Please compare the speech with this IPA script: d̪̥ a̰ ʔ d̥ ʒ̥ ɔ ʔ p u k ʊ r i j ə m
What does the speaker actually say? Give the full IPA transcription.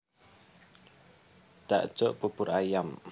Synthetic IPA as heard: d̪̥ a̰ ʔ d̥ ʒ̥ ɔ ʔ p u p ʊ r a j a m